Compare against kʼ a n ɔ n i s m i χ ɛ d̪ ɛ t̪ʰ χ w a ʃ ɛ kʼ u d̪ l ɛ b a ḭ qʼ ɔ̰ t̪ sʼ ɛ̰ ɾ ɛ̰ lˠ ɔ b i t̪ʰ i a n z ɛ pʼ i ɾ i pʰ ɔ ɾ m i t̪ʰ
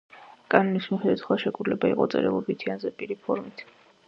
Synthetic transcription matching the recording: kʼ a n ɔ n i s m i χ ɛ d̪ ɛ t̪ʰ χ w a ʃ ɛ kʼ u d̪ l ɛ b a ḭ qʼ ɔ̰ t̪ sʼ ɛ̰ ɾ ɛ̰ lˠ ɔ b i t̪ʰ i a n z ɛ pʼ i ɾ i pʰ ɔ ɾ m i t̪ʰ